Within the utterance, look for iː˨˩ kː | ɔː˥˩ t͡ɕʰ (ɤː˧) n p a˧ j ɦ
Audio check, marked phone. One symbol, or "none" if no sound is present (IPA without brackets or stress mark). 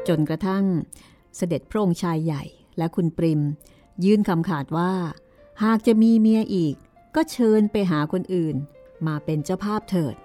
ɤː˧